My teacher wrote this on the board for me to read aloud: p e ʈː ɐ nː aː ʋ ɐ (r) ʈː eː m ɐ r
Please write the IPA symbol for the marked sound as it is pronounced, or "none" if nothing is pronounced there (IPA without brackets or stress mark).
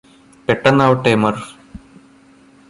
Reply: none